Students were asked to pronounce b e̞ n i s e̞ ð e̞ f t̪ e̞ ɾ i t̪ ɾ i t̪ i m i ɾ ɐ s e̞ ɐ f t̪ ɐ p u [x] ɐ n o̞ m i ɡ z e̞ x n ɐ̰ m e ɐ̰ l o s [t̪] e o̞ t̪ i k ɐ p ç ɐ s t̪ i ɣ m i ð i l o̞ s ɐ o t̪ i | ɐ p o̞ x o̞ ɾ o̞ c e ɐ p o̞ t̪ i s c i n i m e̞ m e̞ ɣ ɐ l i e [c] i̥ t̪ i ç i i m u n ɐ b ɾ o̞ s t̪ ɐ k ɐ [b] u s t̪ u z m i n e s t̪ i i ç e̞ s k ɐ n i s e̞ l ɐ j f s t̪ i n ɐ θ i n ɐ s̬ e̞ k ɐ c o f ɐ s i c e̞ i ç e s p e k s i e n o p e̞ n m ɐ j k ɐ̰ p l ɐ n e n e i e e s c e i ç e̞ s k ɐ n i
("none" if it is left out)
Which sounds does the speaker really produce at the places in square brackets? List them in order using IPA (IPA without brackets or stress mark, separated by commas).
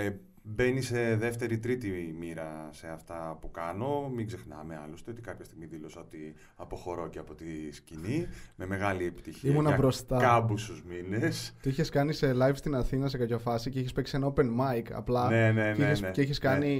k, t̪, p, b